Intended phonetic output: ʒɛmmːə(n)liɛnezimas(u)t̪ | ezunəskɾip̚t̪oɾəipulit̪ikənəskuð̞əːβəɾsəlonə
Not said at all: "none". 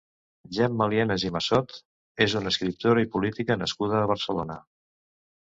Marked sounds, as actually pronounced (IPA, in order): none, ɔ

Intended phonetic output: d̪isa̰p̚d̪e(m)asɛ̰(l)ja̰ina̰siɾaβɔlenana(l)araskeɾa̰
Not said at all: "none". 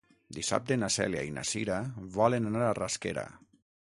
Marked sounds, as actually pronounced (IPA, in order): n, l, ɾ

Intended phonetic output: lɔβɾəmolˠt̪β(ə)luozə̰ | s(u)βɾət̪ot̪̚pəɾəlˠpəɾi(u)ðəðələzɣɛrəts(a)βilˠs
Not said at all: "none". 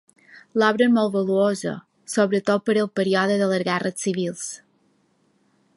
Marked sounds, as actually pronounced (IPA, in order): ə, o, ɔ, i

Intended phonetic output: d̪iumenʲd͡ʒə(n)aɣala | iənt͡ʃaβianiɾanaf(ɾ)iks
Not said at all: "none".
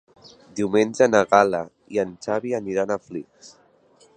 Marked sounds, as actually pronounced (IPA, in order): n, l

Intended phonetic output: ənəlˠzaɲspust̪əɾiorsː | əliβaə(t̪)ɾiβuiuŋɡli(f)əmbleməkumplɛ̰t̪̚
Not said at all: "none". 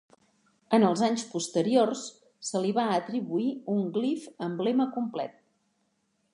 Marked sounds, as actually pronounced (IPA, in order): t̪, f

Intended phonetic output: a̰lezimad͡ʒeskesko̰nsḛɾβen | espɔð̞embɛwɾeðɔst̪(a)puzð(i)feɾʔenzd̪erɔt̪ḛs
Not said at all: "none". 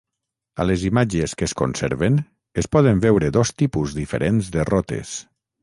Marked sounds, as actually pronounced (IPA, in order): i, i

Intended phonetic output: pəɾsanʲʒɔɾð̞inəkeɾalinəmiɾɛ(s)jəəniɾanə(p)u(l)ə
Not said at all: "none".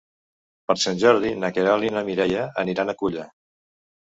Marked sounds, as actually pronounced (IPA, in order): none, k, ʎ

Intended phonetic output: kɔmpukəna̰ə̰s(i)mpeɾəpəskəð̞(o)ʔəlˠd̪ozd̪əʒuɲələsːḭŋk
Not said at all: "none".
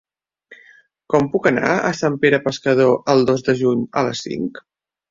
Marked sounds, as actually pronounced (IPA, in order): a, o

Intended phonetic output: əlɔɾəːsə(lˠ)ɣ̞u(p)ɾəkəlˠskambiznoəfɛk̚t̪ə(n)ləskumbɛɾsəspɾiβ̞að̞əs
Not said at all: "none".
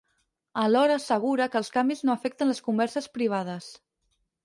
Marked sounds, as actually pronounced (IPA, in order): none, none, n

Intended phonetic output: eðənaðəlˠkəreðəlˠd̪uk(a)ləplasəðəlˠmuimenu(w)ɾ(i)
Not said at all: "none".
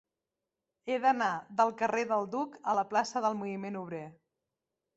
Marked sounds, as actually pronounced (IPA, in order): ə, β, e

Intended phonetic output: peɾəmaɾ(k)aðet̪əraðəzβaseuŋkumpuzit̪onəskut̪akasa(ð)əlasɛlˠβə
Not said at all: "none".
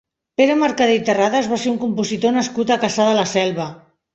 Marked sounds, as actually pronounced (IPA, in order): k, ð

